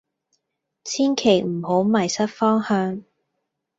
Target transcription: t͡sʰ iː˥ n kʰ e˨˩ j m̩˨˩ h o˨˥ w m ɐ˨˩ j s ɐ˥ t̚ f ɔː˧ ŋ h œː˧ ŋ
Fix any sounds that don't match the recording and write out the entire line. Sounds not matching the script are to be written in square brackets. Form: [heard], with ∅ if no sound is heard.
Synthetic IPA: t͡sʰ iː˥ n kʰ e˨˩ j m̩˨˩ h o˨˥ w m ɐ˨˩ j s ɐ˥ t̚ f [ɔː˥] ŋ h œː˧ ŋ